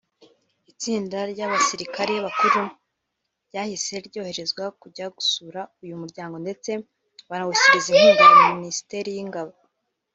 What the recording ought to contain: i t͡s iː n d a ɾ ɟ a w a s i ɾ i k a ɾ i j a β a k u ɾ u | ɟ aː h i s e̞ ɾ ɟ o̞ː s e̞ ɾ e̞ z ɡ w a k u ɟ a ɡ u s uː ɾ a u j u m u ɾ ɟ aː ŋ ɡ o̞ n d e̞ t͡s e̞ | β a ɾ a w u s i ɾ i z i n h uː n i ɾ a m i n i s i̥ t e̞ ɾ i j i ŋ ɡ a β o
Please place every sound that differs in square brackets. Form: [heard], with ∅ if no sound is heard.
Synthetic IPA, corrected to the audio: i t͡s iː n d a ɾ ɟ a [β] a s i ɾ i k a ɾ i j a β a k u ɾ u | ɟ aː h i s e̞ ɾ ɟ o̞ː [h] e̞ ɾ e̞ z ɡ w a k u ɟ a ɡ u s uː ɾ a u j u m u ɾ ɟ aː ŋ ɡ o̞ n d e̞ t͡s e̞ | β a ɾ a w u s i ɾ i z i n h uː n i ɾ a m i n i s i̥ t e̞ ɾ i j i ŋ ɡ a β o